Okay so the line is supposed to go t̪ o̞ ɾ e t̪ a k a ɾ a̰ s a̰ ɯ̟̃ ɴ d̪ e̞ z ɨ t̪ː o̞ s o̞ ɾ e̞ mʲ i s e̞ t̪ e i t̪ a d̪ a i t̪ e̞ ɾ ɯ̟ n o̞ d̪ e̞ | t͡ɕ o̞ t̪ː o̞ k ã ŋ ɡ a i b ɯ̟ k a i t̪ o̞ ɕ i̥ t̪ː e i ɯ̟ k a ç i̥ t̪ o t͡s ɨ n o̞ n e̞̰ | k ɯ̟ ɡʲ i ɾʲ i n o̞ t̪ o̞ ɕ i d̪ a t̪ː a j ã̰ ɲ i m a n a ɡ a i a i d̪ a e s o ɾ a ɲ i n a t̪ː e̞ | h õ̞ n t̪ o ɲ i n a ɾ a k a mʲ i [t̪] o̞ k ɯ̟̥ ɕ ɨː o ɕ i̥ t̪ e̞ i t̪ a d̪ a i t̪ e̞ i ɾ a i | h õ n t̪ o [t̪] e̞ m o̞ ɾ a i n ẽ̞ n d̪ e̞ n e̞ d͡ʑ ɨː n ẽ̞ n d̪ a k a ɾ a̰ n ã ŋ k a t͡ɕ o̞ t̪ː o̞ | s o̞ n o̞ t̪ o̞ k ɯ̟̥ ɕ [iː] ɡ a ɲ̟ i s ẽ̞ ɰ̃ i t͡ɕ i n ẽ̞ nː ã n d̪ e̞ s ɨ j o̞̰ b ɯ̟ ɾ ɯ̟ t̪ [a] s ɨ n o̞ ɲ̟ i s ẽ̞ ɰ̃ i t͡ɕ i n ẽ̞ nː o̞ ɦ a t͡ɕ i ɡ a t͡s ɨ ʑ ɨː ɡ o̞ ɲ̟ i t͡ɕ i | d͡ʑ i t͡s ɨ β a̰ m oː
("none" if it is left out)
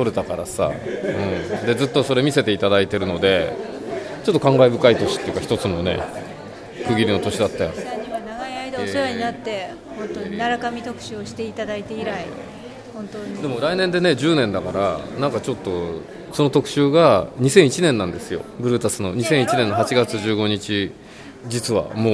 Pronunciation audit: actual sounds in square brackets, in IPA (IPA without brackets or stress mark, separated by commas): t̪, d̪, ɨː, a